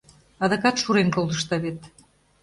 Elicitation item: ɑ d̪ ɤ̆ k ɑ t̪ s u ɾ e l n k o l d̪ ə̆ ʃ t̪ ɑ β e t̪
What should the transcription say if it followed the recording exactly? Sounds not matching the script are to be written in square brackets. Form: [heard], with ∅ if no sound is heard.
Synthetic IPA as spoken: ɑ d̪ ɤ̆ k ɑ t̪ [ʃ] u ɾ e [∅] n k o l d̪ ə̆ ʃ t̪ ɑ β e t̪